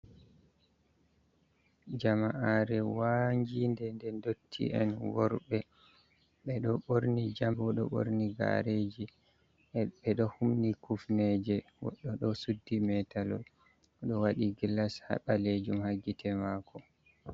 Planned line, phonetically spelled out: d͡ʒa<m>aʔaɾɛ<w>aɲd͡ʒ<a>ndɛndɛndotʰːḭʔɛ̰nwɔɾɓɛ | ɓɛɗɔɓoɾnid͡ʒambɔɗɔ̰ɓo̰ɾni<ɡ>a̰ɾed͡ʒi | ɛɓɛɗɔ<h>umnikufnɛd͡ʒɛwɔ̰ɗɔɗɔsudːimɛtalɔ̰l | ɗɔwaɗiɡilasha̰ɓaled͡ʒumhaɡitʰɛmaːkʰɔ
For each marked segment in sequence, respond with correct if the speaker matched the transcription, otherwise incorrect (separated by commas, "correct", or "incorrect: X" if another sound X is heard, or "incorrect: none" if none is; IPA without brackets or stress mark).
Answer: correct, correct, incorrect: i, correct, correct